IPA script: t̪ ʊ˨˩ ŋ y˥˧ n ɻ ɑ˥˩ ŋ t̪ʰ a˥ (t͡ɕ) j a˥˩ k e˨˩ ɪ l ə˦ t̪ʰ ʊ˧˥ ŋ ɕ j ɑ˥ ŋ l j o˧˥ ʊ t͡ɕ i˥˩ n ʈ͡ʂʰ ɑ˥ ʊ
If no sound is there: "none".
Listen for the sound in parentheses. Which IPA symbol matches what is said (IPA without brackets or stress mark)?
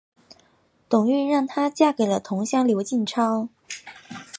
t͡ɕ